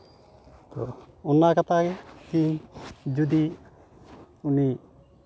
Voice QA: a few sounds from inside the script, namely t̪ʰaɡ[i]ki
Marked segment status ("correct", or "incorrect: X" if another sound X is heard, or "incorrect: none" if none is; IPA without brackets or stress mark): incorrect: ɛ